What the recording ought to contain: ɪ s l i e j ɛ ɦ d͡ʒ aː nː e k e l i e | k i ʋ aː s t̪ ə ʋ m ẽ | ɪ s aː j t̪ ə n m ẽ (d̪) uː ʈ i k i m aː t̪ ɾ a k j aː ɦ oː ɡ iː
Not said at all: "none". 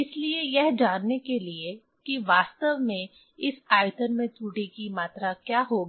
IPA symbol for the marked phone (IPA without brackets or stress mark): t̪